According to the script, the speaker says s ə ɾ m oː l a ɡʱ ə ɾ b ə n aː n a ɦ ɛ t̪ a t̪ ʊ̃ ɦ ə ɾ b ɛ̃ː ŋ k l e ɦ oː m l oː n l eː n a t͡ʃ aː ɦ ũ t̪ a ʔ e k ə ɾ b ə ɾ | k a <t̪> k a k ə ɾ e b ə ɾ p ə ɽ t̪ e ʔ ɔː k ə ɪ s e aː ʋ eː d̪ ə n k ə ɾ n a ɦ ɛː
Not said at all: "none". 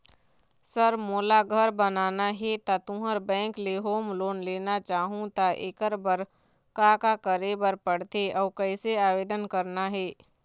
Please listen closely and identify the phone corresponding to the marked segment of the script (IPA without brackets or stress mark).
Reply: none